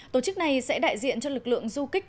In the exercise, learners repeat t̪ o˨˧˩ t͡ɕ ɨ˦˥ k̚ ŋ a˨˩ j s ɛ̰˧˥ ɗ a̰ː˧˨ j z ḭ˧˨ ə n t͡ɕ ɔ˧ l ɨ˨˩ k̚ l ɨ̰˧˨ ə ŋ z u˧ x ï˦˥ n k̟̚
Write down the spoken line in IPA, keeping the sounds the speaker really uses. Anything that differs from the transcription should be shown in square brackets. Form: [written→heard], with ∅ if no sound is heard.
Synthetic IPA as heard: t̪ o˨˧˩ t͡ɕ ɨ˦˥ k̚ [ŋ→n] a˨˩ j s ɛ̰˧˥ ɗ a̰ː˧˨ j z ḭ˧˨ ə n t͡ɕ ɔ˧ l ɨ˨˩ k̚ l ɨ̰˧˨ ə ŋ z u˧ [x→k] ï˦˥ [n→∅] k̟̚